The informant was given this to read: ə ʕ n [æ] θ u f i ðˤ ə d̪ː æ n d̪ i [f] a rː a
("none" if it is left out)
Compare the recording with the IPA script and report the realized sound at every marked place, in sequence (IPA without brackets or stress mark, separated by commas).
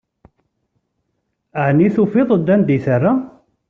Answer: i, θ